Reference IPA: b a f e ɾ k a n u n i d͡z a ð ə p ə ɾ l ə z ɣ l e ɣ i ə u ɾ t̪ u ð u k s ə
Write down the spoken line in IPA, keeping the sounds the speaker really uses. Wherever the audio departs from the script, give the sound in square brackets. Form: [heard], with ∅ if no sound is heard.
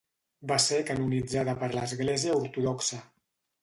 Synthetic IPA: b a [s] e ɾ k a n u n i d͡z a ð ə p ə ɾ l ə z ɣ l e [z] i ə u ɾ t̪ u ð [ɔ] k s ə